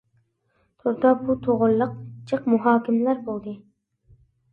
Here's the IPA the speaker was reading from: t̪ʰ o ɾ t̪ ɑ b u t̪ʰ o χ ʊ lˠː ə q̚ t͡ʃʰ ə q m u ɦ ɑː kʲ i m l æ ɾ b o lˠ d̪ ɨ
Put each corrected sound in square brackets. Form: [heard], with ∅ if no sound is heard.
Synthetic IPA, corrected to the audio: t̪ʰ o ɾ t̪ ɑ b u t̪ʰ o [ʁ] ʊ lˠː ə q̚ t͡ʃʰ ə q m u ɦ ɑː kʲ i m l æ ɾ b o lˠ d̪ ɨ